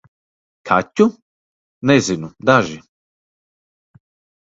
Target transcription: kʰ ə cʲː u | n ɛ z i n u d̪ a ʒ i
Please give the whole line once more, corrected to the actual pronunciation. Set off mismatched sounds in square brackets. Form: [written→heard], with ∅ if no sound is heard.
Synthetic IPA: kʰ [ə→a] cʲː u | n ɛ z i n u d̪ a ʒ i

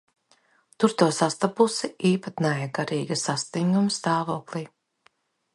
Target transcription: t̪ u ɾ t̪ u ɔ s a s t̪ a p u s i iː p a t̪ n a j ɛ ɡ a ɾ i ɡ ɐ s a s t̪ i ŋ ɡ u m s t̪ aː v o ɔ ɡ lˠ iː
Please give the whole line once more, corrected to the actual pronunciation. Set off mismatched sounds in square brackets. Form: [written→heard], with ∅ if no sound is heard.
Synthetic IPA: t̪ u ɾ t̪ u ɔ s a s t̪ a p u s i iː p a t̪ n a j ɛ ɡ a ɾ [i→iː] ɡ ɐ s a s t̪ i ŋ ɡ u m s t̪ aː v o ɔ [ɡ→k] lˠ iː

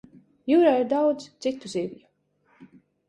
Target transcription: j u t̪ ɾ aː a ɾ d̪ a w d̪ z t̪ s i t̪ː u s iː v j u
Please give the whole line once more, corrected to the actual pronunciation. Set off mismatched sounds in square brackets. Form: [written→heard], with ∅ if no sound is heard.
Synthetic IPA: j u [t̪→∅] ɾ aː [a→i] ɾ d̪ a w d̪ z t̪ s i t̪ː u [s→z] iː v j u

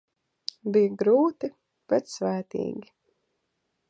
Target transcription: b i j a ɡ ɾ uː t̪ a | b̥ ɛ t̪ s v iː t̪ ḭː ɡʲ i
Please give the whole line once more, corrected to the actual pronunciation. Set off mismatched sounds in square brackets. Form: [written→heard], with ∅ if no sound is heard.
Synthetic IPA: b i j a ɡ ɾ uː t̪ [a→i] | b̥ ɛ t̪ s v [iː→æː] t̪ ḭː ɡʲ i

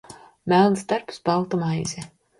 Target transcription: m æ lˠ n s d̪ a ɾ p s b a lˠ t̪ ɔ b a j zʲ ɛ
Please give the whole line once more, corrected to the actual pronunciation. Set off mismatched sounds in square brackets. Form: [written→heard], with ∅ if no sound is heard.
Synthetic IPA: m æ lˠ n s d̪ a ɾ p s b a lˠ t̪ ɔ [b→m] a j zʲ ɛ

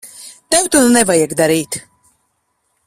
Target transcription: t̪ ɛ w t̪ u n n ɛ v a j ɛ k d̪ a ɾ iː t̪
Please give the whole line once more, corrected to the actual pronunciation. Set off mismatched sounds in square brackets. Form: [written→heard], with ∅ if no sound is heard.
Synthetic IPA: t̪ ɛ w t̪ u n n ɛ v a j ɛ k d̪ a ɾ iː t̪

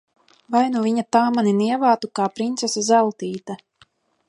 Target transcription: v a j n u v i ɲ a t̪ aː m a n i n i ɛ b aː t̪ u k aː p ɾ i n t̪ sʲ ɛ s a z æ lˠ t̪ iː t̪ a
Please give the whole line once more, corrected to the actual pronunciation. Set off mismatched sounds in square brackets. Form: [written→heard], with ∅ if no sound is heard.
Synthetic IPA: v a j n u v i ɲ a t̪ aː m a n i n i ɛ [b→v] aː t̪ u k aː p ɾ i n t̪ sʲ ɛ s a z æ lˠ t̪ iː t̪ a

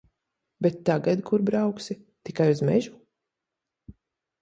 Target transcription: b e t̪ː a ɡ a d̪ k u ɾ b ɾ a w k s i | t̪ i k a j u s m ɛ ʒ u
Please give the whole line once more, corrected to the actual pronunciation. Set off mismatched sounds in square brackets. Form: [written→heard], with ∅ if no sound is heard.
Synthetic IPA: b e t̪ː a ɡ a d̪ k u ɾ b ɾ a w k s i | t̪ i k a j u [s→z] m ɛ ʒ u

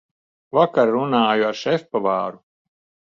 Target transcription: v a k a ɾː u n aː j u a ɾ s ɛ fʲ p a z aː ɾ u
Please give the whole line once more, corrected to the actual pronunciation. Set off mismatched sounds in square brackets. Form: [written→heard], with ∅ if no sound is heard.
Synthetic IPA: v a k a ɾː u n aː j u a ɾ [s→ʃ] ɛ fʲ p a [z→v] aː ɾ u

